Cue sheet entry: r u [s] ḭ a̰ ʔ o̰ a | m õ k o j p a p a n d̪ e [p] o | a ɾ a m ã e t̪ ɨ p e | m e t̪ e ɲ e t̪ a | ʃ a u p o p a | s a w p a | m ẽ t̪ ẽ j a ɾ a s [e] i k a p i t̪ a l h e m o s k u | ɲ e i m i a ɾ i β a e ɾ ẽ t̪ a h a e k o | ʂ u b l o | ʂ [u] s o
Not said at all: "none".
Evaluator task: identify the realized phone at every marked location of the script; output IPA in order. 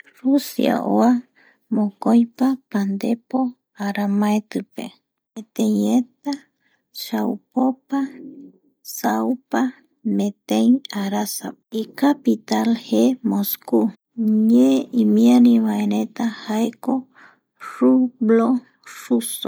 s, p, a, u

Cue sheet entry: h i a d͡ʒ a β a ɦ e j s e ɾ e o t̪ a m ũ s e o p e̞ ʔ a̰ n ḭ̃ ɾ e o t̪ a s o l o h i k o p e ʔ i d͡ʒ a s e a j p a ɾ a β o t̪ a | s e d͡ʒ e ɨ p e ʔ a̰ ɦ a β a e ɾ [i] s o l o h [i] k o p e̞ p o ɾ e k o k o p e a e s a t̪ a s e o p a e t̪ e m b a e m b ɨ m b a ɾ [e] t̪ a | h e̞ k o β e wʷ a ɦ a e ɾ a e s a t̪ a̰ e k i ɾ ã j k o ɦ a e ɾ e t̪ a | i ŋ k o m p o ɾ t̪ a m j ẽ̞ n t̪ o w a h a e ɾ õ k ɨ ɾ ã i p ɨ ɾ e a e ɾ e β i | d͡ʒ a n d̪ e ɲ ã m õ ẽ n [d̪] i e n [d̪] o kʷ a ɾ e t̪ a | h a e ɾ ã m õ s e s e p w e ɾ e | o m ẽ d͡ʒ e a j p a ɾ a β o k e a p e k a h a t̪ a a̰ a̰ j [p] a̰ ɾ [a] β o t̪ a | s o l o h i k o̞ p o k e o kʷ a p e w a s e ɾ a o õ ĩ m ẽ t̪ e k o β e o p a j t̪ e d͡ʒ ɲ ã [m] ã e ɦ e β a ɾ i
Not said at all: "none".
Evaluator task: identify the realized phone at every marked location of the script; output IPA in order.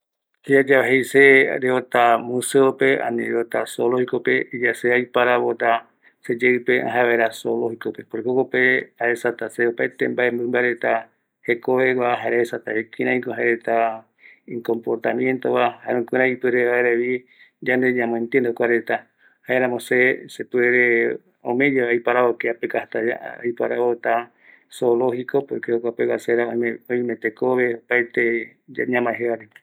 a, i, e, t̪, d̪, p, a, m

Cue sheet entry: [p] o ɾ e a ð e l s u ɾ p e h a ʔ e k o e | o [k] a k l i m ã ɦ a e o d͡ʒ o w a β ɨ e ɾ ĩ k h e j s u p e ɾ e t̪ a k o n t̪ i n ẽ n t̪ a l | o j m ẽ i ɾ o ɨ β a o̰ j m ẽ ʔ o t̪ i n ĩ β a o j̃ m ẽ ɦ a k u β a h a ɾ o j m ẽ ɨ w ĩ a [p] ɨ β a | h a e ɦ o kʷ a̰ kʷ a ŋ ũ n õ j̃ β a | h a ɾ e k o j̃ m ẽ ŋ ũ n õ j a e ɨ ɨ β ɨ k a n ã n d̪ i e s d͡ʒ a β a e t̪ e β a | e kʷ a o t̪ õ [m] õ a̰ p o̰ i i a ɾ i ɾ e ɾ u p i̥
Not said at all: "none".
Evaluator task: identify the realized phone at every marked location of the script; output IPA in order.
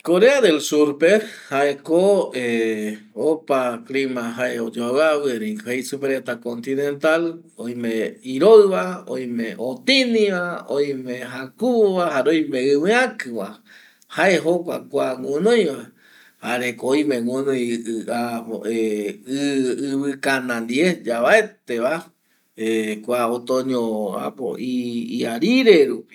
k, p, k, ɲ

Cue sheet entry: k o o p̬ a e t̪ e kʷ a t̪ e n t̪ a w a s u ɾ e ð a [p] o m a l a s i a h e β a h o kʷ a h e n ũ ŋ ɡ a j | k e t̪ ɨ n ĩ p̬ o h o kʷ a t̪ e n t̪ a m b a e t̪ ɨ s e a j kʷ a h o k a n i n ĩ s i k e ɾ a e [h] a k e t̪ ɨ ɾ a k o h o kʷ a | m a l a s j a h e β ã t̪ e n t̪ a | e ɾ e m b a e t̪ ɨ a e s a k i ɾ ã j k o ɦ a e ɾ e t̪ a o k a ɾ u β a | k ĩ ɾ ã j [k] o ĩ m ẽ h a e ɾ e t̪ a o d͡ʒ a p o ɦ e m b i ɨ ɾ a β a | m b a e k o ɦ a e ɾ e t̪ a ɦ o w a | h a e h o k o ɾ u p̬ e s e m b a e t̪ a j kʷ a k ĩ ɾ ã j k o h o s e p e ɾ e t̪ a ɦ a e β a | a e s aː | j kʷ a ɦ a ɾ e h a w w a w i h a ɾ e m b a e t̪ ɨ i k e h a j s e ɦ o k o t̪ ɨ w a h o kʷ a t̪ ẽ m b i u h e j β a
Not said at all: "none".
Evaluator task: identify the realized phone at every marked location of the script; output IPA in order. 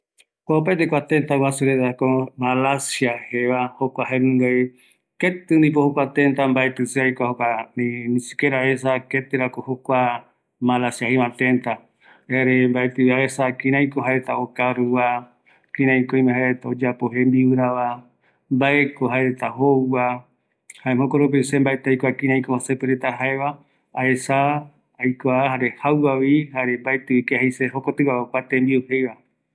k, s, k

